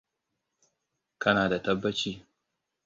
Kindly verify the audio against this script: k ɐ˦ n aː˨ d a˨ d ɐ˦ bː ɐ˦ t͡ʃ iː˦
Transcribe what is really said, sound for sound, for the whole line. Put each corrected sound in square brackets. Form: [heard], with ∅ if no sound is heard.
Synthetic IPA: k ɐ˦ n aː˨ d a˨ [t] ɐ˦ bː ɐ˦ t͡ʃ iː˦